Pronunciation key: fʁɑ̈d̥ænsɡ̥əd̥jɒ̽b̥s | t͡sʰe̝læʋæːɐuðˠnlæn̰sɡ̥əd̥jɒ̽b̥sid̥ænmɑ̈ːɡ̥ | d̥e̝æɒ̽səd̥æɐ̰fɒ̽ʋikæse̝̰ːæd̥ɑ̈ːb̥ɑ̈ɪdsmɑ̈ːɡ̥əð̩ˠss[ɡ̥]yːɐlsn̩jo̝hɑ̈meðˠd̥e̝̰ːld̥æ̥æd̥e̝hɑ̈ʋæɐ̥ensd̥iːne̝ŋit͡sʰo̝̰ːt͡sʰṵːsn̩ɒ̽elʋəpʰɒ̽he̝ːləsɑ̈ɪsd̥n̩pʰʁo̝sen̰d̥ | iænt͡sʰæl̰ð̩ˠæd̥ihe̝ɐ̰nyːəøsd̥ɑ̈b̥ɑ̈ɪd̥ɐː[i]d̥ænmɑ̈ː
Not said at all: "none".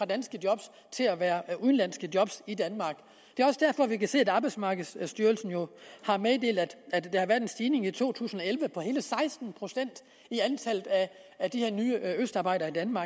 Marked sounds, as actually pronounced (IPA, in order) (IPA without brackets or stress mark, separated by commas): d̥, i